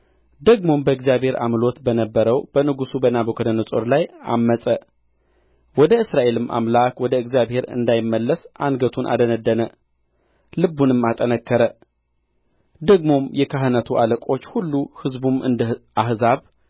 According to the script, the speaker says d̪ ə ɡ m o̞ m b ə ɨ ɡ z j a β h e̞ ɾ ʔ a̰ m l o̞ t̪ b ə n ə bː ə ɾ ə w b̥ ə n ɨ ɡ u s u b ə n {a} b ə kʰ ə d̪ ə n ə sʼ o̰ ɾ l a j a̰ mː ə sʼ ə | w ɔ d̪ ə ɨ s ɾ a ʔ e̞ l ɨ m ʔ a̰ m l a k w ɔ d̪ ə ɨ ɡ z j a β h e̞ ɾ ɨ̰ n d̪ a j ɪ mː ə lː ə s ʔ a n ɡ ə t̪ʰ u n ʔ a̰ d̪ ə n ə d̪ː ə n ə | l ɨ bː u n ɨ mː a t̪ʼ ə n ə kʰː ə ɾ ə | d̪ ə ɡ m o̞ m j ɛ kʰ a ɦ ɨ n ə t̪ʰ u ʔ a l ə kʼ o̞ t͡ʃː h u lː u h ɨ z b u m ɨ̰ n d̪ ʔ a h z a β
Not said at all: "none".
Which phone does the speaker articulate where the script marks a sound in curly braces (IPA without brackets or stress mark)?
a